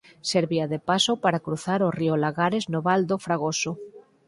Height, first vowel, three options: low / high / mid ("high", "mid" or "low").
mid